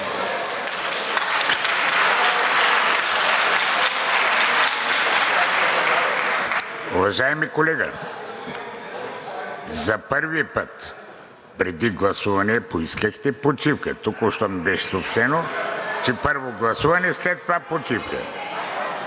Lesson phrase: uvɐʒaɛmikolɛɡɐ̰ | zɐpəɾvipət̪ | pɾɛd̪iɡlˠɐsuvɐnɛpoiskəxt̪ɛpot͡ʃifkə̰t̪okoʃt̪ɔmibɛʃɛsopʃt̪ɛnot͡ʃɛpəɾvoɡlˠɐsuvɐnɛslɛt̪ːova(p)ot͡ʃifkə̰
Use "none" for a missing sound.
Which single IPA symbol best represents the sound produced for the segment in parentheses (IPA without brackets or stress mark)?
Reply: p